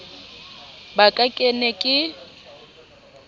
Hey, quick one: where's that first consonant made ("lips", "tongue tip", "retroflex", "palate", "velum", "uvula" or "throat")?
lips